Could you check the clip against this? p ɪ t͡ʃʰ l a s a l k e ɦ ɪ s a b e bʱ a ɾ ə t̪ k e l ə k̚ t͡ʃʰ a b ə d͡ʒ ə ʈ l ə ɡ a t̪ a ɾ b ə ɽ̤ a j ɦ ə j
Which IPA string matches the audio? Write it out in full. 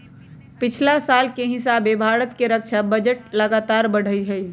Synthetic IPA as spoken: p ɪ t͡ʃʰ l a s a l k e ɦ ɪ s a b e bʱ a ɾ ə t̪ k e ɾ ə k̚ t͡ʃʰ a b ə d͡ʒ ə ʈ l ə ɡ a t̪ a ɾ b ə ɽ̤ ə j ɦ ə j